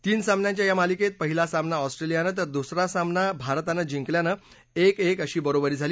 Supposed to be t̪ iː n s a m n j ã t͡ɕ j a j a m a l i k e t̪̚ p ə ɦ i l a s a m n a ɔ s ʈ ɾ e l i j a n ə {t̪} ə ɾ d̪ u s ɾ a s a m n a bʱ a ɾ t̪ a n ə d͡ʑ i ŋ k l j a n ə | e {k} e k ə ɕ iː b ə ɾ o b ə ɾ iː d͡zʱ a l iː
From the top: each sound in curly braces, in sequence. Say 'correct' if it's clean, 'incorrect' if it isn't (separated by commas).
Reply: correct, correct